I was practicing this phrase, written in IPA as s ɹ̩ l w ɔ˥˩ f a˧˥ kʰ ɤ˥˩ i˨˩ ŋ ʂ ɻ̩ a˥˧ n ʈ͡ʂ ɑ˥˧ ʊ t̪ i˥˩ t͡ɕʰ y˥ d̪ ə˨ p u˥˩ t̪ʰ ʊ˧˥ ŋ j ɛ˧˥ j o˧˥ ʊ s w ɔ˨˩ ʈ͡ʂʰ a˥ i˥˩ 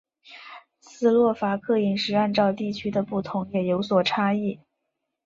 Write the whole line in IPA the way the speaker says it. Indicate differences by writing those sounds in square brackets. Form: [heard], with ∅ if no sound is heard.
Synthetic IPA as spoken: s ɹ̩ l w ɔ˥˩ f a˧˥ kʰ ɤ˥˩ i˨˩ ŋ ʂ ɻ̩ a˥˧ n ʈ͡ʂ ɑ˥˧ ʊ t̪ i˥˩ t͡ɕʰ y˥ d̪ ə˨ p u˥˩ t̪ʰ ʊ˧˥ ŋ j [ɛ˨˩] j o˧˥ ʊ s w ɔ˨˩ ʈ͡ʂʰ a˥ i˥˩